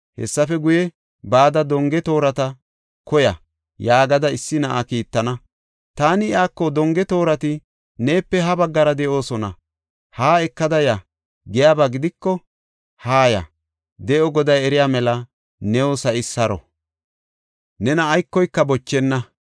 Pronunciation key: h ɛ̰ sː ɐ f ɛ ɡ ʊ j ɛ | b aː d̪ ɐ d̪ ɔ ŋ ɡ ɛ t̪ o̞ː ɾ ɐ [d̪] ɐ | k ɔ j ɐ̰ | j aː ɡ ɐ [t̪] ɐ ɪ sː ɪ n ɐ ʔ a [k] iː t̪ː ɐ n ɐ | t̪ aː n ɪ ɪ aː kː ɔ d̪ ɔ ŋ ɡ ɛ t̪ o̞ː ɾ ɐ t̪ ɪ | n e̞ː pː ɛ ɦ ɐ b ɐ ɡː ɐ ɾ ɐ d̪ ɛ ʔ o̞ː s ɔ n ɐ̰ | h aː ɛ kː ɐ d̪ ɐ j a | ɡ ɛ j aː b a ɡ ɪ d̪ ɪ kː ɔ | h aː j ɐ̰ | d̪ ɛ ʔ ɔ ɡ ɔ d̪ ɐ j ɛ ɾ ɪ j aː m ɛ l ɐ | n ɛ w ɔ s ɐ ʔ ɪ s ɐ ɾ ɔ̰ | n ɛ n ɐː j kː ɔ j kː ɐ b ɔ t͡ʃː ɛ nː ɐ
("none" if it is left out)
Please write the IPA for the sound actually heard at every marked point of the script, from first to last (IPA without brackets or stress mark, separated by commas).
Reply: t̪, d̪, k